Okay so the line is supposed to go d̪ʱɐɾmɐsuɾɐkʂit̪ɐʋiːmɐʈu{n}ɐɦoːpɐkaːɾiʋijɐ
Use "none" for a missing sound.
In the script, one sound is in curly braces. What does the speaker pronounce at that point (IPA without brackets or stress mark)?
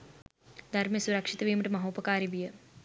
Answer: m